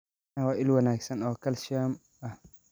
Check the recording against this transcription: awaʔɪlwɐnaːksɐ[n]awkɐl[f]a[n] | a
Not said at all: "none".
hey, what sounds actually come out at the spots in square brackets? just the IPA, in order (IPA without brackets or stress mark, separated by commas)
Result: n, ʃ, m